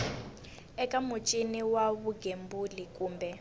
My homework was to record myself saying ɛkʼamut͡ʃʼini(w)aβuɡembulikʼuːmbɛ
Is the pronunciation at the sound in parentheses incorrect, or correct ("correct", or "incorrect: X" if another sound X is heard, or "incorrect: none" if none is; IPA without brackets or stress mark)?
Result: correct